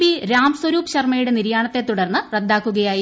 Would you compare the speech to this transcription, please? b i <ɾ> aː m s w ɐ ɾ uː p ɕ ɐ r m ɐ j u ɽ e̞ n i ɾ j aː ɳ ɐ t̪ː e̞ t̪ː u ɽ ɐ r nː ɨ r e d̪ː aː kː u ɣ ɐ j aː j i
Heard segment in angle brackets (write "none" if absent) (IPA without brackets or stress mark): ɾ